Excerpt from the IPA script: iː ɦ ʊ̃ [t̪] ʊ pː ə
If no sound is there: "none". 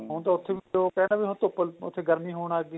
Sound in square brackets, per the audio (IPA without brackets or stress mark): t̪